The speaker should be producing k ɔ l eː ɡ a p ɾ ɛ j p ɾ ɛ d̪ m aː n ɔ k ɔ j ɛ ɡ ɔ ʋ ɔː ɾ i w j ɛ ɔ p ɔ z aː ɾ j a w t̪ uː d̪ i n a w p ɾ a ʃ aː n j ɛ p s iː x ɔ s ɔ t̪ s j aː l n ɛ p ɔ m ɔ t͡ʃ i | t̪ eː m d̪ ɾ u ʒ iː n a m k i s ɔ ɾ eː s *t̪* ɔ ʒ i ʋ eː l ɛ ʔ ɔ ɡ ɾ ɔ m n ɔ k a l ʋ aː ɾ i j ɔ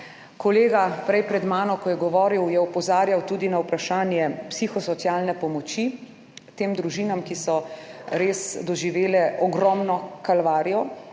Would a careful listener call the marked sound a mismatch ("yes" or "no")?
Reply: yes